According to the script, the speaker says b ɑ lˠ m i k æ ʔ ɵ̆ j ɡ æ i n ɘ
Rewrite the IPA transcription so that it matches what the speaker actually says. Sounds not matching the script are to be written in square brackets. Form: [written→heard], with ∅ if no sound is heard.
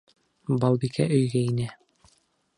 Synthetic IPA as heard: b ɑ lˠ [m→b] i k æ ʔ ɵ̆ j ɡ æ i n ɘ